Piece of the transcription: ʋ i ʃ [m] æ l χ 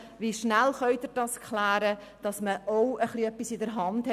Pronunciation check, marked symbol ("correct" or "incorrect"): incorrect